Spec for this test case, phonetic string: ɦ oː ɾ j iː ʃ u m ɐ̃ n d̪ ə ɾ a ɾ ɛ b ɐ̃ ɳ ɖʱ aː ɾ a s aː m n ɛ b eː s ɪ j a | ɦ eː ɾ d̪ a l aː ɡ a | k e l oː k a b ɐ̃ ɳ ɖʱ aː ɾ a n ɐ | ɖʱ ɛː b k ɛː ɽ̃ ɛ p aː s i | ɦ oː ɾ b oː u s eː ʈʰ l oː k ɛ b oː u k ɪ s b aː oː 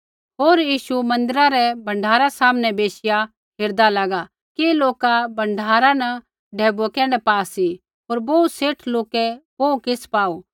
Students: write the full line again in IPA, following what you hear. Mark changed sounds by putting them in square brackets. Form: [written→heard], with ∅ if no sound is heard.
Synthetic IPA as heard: ɦ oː ɾ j iː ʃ u m ɐ̃ n d̪ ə ɾ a ɾ ɛ b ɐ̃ ɳ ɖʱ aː ɾ a s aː m n ɛ b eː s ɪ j a | ɦ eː ɾ d̪ a l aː ɡ a | k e l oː k a b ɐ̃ ɳ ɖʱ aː ɾ a n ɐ | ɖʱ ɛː b k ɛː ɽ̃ ɛ p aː s i | ɦ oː ɾ b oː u s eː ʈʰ l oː k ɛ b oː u k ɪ s [b→p] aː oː